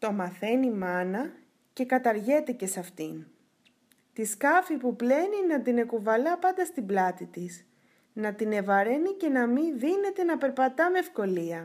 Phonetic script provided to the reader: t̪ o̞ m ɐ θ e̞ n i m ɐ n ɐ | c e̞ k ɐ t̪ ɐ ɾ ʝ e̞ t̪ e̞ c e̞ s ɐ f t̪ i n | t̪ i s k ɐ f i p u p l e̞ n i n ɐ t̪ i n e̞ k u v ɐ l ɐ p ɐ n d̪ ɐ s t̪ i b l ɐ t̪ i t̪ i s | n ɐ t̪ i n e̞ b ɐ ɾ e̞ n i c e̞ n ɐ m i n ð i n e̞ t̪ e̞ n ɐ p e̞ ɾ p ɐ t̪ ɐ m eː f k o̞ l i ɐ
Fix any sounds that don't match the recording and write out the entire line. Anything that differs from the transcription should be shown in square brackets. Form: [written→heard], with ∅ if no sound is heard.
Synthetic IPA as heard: t̪ o̞ m ɐ θ e̞ n i m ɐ n ɐ | c e̞ k ɐ t̪ ɐ ɾ ʝ e̞ t̪ e̞ c e̞ s ɐ f t̪ i n | t̪ i s k ɐ f i p u p l e̞ n i n ɐ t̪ i n e̞ k u v ɐ l ɐ p ɐ n d̪ ɐ s t̪ i b l ɐ t̪ i t̪ i s | n ɐ t̪ i n e̞ [b→v] ɐ ɾ e̞ n i c e̞ n ɐ m i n ð i n e̞ t̪ e̞ n ɐ p e̞ ɾ p ɐ t̪ ɐ m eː f k o̞ l i ɐ